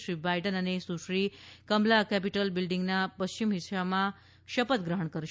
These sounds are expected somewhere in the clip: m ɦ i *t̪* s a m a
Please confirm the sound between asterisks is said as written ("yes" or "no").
no